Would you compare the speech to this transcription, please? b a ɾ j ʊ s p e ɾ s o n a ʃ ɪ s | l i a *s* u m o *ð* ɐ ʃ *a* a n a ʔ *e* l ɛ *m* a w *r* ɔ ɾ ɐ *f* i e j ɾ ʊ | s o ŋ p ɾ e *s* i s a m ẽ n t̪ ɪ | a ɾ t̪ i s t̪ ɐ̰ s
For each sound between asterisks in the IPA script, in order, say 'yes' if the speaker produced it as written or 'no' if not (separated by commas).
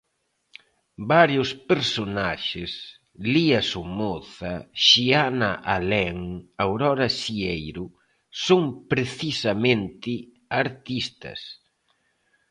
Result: yes, no, no, no, no, no, no, no